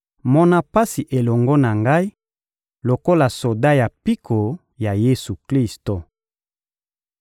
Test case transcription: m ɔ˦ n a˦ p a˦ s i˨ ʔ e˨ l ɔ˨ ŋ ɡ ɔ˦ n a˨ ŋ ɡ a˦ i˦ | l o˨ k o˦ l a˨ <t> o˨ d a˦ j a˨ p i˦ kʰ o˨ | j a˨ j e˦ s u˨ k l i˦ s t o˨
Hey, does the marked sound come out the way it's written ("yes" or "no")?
no